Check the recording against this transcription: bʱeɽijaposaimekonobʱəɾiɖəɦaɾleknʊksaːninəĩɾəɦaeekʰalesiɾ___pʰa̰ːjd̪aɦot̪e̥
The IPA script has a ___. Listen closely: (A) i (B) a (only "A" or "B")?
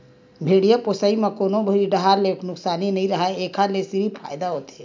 A